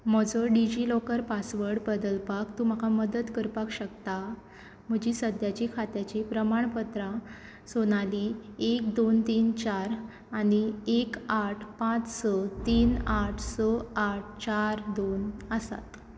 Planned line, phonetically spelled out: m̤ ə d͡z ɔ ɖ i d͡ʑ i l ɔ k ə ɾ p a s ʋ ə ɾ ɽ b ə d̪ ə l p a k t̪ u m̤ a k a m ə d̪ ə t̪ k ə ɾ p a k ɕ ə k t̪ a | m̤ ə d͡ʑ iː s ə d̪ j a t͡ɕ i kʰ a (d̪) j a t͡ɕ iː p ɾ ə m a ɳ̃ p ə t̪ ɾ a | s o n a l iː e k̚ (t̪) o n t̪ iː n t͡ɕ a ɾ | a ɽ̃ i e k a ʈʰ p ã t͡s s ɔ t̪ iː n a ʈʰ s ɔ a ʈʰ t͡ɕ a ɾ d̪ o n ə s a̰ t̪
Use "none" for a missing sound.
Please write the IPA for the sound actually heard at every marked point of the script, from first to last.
t̪, d̪

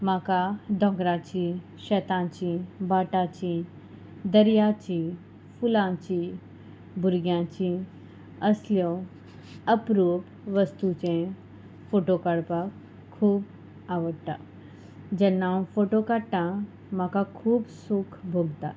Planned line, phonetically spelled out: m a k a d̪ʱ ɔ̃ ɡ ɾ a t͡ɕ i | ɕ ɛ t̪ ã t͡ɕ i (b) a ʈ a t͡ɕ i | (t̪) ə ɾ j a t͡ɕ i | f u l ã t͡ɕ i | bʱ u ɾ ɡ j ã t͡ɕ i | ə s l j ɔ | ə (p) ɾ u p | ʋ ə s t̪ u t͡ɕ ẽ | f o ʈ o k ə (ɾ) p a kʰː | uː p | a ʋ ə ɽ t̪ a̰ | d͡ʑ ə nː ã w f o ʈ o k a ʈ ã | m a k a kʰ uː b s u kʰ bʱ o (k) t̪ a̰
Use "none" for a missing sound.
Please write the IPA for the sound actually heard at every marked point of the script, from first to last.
b, d̪, p, ɽ, ɡ

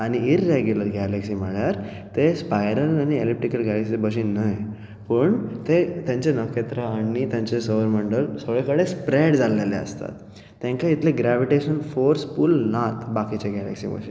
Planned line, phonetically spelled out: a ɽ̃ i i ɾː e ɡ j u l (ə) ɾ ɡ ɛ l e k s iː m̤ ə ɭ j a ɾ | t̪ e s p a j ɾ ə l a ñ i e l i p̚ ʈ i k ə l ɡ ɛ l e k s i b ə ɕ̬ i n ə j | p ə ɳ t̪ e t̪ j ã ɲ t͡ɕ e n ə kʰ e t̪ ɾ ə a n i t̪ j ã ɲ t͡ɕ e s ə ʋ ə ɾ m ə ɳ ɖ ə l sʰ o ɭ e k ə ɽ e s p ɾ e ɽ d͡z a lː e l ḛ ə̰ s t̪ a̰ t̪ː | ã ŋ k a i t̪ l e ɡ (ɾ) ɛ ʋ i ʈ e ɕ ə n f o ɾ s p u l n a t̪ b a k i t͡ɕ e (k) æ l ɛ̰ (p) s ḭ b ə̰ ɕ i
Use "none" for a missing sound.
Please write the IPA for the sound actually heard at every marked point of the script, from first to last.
ə, ɾ, ɡ, k

